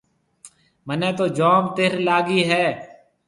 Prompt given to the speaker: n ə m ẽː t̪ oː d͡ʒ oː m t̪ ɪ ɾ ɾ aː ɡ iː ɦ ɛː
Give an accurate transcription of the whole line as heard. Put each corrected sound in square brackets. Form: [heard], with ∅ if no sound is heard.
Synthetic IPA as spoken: [m] ə [n] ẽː t̪ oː d͡ʒ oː m t̪ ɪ ɾ [l] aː ɡ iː ɦ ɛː